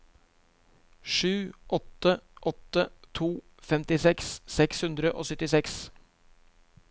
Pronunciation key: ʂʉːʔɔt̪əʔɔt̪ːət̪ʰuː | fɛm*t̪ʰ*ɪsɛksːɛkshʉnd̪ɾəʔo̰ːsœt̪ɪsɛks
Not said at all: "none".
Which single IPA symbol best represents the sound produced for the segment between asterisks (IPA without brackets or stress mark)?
t̪